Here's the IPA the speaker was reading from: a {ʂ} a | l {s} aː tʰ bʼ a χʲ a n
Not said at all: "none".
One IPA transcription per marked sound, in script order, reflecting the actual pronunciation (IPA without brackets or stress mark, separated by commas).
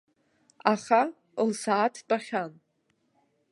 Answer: χ, s